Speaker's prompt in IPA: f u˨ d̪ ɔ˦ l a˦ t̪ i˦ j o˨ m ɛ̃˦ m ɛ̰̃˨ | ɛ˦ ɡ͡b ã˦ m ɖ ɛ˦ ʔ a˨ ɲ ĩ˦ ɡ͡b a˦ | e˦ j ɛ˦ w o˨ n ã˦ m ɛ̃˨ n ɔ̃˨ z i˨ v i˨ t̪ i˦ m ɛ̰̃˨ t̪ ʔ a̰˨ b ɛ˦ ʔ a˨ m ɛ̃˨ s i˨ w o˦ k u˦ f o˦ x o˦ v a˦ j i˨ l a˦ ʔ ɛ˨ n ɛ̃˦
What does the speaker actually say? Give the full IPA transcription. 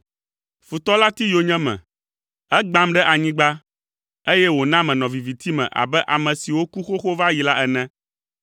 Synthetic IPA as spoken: f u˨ t̪ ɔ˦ l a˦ t̪ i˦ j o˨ ɲ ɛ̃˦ m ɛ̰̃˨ | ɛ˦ ɡ͡b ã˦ m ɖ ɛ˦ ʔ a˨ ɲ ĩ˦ ɡ͡b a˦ | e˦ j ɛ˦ w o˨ n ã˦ m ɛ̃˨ n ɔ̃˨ v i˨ v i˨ t̪ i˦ m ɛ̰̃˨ ʔ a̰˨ b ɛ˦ ʔ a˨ m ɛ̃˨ s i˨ w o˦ k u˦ x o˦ x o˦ v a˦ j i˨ l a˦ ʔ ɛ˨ n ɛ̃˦